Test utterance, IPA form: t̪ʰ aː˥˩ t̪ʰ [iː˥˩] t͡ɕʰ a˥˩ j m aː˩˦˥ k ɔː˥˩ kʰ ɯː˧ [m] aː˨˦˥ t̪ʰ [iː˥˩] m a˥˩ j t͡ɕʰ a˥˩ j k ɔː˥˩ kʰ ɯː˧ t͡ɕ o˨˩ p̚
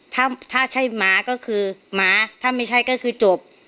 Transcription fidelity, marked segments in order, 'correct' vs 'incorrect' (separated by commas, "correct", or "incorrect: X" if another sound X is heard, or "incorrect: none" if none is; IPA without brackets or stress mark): incorrect: aː˥˩, correct, incorrect: aː˥˩